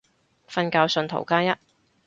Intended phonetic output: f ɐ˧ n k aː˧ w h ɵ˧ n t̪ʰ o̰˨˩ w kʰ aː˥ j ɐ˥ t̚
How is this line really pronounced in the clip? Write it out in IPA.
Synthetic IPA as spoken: f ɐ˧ n k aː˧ w s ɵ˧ n t̪ʰ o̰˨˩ w k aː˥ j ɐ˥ t̚